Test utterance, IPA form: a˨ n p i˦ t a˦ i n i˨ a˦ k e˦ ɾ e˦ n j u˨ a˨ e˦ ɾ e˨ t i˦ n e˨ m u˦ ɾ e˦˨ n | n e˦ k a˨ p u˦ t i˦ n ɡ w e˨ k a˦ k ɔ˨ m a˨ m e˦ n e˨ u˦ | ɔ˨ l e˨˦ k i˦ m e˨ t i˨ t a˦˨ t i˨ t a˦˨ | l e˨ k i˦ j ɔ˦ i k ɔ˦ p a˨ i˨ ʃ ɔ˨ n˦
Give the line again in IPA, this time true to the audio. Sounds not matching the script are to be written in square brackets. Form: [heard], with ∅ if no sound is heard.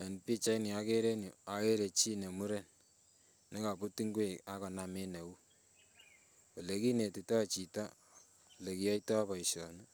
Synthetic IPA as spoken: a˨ n p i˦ [t͡ʃ] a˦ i n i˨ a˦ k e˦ ɾ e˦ n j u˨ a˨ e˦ ɾ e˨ [t͡ʃ] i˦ n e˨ m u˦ ɾ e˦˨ n | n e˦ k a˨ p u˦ t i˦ [ŋ] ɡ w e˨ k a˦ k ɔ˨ [n] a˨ m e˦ n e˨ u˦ | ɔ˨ l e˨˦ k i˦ [n] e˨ t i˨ t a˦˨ [t͡ʃ] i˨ t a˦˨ | l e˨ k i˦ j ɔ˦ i [t] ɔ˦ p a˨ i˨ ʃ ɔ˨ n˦